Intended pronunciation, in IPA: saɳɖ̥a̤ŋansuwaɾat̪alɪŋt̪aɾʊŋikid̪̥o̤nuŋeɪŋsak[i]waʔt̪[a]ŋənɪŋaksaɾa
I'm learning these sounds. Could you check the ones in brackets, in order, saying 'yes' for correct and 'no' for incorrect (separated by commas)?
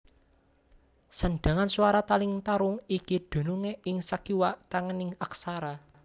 yes, yes